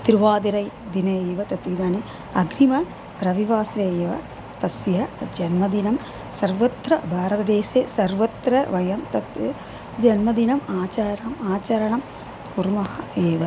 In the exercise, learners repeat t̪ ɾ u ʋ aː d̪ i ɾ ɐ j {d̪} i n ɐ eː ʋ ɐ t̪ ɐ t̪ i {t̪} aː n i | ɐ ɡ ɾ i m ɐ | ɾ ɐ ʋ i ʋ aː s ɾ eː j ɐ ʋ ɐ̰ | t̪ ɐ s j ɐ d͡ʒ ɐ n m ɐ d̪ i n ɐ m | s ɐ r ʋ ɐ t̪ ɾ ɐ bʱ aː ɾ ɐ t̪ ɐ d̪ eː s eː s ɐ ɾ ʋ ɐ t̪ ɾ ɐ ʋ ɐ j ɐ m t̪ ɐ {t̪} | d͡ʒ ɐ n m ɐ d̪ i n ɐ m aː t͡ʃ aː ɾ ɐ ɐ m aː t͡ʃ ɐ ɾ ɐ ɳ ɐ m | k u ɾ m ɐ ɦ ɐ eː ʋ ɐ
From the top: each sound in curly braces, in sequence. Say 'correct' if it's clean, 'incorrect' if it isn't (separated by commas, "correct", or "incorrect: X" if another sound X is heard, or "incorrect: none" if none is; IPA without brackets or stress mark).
correct, incorrect: d̪, correct